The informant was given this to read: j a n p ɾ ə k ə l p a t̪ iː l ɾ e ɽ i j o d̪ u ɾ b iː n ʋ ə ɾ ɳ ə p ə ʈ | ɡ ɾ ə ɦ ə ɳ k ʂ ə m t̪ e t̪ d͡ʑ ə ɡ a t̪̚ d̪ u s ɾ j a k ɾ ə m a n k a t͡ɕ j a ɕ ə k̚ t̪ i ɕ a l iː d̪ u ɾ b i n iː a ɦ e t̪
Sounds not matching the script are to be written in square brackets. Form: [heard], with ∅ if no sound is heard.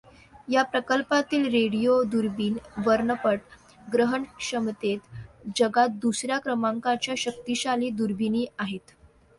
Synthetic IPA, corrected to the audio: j a [∅] p ɾ ə k ə l p a t̪ iː l ɾ e ɽ i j o d̪ u ɾ b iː n ʋ ə ɾ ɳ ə p ə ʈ | ɡ ɾ ə ɦ ə ɳ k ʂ ə m t̪ e t̪ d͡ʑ ə ɡ a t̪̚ d̪ u s ɾ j a k ɾ ə m a [ŋ] k a t͡ɕ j a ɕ ə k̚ t̪ i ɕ a l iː d̪ u ɾ b i n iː a ɦ e t̪